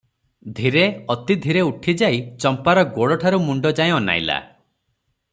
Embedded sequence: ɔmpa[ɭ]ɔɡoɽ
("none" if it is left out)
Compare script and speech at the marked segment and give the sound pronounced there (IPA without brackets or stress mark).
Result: ɾ